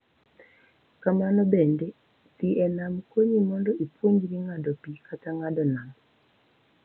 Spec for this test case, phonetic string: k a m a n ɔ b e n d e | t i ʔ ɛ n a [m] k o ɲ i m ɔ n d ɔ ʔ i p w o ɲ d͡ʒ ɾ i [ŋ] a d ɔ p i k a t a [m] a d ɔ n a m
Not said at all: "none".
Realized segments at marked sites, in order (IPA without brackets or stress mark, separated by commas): m, ŋ, ŋ